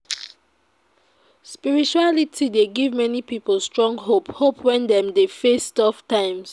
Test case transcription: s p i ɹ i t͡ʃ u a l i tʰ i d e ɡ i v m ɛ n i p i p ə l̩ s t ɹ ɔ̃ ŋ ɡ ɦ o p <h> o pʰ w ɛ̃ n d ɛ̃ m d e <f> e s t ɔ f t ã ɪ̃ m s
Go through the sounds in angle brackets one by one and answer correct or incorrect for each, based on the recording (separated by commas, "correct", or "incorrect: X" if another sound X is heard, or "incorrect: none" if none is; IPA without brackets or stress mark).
correct, correct